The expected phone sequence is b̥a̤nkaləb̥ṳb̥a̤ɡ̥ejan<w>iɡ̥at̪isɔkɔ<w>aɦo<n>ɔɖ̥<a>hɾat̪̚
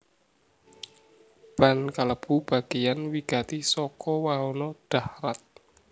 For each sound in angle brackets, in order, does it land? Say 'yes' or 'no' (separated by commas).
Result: yes, yes, yes, yes